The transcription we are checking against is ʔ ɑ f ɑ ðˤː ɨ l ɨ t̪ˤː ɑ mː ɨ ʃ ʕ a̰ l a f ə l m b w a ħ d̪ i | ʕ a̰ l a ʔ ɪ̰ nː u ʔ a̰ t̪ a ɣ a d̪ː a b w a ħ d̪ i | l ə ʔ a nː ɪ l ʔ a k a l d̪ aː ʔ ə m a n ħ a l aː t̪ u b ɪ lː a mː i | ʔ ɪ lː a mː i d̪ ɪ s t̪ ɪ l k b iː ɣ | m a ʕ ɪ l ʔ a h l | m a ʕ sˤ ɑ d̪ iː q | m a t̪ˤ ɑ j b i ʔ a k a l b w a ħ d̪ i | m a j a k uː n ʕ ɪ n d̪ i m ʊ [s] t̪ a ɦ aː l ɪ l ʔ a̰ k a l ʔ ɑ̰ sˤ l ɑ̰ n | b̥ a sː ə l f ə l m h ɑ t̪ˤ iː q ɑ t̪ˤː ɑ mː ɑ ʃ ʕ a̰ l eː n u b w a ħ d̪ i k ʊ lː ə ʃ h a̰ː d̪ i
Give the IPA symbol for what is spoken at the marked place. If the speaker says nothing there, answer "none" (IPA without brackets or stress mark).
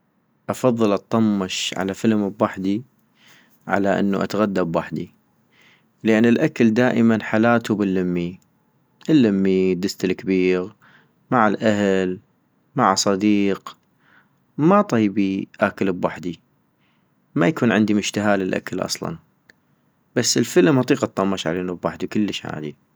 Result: ʃ